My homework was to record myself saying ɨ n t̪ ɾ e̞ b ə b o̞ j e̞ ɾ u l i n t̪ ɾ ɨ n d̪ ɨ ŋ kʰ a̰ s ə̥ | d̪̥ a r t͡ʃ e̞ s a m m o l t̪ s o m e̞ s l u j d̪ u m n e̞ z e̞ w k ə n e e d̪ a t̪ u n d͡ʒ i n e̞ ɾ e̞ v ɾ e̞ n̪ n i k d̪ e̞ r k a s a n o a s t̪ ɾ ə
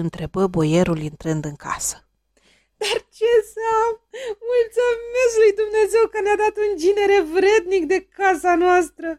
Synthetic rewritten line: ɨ n t̪ ɾ e̞ b ə b o̞ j e̞ ɾ u l i n t̪ ɾ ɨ n d̪ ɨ ŋ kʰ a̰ s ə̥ | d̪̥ a r t͡ʃ e̞ s a m m u l t̪ s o m e̞ s l u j d̪ u m n e̞ z e̞ w k ə n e a d̪ a t̪ u n d͡ʒ i n e̞ ɾ e̞ v ɾ e̞ d̪ n i k d̪ e̞ k a s a n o a s t̪ ɾ ə